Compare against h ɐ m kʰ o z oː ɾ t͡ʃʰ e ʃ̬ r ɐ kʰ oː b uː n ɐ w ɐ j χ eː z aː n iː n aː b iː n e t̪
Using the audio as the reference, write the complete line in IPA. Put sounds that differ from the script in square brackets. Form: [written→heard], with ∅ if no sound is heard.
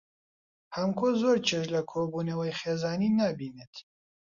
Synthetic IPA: h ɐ m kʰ o z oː ɾ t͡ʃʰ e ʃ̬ [r→l] ɐ kʰ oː b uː n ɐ w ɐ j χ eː z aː n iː n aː b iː n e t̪

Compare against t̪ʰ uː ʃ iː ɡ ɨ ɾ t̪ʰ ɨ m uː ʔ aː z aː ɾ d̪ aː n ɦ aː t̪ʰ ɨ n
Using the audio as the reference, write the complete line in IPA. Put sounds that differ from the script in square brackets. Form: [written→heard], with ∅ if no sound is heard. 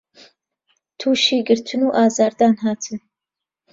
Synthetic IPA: t̪ʰ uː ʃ iː ɡ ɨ ɾ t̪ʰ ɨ [m→n] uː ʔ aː z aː ɾ d̪ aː n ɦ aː t̪ʰ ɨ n

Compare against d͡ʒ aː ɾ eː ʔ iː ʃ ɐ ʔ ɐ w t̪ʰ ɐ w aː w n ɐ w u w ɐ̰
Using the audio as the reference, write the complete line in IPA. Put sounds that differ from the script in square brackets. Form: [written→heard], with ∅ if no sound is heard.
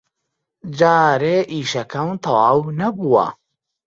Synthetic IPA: d͡ʒ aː ɾ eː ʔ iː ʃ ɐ [ʔ→k] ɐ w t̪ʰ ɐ w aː w n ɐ [w→b] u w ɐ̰

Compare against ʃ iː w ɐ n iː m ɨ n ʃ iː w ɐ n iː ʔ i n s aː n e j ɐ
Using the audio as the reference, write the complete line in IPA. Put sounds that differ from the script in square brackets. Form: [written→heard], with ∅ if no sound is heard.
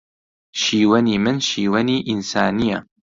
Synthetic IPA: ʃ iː w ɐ n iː m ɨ n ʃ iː w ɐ n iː ʔ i n s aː n [e→i] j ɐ

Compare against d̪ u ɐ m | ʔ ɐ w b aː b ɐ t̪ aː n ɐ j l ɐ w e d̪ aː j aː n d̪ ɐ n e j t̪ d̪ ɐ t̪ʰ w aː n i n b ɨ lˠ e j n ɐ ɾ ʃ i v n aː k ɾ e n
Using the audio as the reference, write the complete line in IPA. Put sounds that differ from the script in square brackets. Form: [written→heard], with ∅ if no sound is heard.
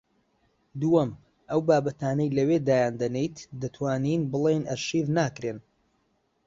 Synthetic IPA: d̪ u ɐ m | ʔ ɐ w b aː b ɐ t̪ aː n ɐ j l ɐ w e d̪ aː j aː n d̪ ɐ n e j t̪ d̪ ɐ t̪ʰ w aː n i n b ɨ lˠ e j n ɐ ɾ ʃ i v n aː k ɾ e n

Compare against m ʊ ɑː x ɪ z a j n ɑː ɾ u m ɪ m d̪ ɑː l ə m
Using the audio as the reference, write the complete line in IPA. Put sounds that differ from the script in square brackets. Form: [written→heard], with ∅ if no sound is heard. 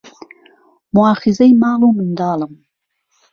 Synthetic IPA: m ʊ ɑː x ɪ z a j [n→m] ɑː [ɾ→l] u m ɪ [m→n] d̪ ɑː l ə m

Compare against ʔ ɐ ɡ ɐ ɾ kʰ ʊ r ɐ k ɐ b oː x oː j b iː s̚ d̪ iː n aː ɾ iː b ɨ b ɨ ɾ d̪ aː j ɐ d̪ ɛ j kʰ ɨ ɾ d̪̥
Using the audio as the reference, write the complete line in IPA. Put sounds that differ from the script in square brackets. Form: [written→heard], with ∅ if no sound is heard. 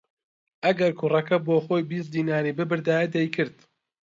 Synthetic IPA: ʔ ɐ ɡ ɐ ɾ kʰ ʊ r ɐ k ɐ b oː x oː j b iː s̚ d̪ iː n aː ɾ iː b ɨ b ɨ ɾ d̪ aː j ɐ d̪ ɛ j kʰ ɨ ɾ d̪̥

